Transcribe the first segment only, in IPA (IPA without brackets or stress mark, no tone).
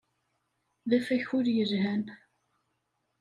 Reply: ð